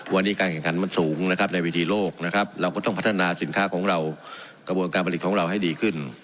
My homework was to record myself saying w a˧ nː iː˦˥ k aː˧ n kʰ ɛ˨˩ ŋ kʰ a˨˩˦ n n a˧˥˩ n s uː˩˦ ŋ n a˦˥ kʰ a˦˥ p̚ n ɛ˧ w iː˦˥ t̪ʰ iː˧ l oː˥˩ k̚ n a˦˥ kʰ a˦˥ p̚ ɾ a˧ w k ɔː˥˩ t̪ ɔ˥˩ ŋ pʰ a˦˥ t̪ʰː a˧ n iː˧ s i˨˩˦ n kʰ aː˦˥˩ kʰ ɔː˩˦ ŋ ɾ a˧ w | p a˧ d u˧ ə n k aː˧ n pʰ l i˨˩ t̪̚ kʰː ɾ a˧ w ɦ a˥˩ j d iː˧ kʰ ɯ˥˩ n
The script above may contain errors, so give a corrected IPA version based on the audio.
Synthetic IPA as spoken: w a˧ nː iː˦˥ k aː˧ n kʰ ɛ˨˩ ŋ kʰ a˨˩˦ n m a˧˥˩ n s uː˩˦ ŋ n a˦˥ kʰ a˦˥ p̚ n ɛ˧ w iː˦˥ t̪ʰ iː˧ l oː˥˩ k̚ n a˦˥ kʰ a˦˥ p̚ ɾ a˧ w k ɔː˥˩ t̪ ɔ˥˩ ŋ pʰ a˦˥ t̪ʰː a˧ n aː˧ s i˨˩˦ n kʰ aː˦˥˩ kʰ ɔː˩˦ ŋ ɾ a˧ w | k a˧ b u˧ ə n k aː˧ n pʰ l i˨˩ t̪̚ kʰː ɾ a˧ w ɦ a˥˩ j d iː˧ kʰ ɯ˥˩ n